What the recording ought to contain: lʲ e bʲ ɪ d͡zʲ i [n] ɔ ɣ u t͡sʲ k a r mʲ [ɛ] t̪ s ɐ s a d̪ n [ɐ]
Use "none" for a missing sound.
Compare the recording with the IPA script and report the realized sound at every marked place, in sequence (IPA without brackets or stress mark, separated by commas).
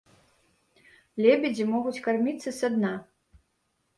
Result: m, i, a